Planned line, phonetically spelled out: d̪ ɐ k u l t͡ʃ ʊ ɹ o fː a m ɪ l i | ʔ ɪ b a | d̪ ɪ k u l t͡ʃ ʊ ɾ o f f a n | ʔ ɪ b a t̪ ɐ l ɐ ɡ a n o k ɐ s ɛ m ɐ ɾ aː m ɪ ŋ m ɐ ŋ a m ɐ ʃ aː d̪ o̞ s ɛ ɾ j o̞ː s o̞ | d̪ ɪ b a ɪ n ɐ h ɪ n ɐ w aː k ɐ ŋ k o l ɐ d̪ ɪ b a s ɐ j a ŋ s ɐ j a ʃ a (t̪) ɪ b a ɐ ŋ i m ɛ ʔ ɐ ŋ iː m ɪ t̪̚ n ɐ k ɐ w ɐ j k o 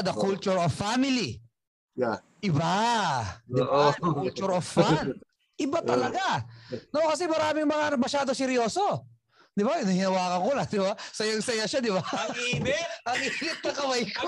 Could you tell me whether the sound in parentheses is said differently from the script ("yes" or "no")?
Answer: yes